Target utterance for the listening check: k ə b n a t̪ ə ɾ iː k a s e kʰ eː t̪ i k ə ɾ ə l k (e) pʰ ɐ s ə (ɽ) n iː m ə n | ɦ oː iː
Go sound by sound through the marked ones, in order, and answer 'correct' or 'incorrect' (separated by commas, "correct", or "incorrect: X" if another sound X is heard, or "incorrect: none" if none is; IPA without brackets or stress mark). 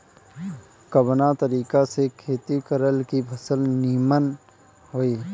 incorrect: i, incorrect: l